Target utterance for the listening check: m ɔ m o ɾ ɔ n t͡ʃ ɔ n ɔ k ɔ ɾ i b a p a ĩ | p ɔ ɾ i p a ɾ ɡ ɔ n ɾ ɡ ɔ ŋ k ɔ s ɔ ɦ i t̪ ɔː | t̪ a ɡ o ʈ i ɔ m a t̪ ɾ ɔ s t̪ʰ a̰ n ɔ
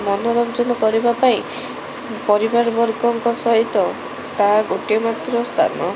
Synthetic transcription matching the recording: m ɔ n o ɾ ɔ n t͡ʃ ɔ n ɔ k ɔ ɾ i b a p a ĩ | p ɔ ɾ i b a ɾ b ɔ ɾ ɡ ɔ ŋ k ɔ s ɔ ɦ i t̪ ɔ | t̪ a ɡ o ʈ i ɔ m a t̪ ɾ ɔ s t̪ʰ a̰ n ɔ